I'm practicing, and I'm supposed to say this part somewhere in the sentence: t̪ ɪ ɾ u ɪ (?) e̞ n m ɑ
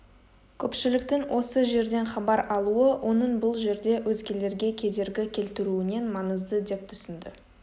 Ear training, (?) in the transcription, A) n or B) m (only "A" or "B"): A